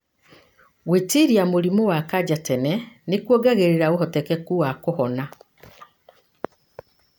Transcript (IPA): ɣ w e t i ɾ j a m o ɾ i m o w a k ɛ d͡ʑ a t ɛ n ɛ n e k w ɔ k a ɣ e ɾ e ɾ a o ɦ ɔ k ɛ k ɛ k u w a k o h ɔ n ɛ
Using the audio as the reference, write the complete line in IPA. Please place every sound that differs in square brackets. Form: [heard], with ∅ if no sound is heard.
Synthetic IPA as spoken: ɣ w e t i ɾ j a m o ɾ i m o w a k [a] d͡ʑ a t ɛ n ɛ n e k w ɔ [ɡ] a ɣ e ɾ e ɾ a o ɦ ɔ [t] ɛ k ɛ k u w a k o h ɔ n [a]